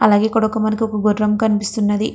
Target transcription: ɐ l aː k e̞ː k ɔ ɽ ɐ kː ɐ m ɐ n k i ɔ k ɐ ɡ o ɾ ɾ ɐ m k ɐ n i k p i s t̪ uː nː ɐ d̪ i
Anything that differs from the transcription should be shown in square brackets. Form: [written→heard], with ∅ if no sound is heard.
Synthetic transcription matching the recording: ɐ l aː [k→ɡ] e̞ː k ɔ ɽ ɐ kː ɐ m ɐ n k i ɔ k ɐ ɡ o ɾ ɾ ɐ m k ɐ n i [k→∅] p i s t̪ [uː→u] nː ɐ d̪ i